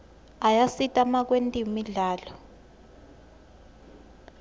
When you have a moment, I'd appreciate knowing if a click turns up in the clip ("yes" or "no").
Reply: no